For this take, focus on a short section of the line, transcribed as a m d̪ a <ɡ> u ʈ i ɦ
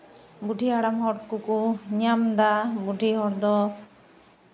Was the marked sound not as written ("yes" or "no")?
yes